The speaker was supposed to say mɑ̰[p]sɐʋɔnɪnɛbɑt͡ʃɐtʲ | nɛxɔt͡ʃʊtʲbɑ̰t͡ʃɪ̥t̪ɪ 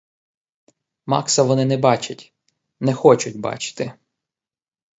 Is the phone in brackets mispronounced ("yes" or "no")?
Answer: yes